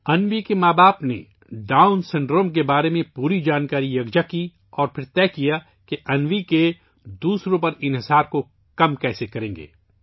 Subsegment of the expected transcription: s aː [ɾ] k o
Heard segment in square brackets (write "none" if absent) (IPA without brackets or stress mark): ɾ